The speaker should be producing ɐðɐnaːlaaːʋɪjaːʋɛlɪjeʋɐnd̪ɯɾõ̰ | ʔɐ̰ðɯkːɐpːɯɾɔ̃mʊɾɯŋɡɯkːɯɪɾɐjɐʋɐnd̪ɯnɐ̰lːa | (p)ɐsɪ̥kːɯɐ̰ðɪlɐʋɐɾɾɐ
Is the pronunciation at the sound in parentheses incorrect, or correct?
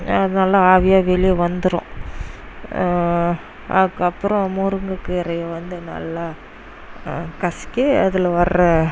incorrect